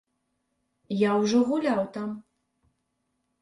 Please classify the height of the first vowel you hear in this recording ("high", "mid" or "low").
low